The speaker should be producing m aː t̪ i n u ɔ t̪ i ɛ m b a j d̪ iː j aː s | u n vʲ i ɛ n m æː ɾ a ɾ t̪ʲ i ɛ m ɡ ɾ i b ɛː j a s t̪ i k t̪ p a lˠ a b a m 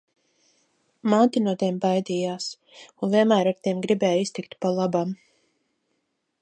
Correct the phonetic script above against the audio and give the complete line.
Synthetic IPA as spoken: m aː t̪ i n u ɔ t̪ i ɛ m b a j d̪ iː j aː s | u n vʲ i ɛ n m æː ɾ a ɾ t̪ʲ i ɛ m ɡ ɾ i b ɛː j i s t̪ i k t̪ p a lˠ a b a m